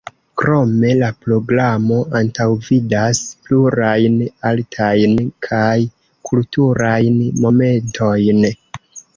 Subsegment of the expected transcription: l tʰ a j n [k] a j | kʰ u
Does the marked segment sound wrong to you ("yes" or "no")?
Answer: yes